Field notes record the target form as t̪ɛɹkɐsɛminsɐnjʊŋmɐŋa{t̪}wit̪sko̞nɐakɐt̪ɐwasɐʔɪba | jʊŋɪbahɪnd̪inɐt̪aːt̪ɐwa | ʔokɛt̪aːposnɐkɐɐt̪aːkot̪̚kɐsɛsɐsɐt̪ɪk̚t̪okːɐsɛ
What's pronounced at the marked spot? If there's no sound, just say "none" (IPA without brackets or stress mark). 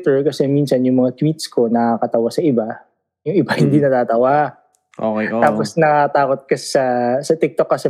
t̪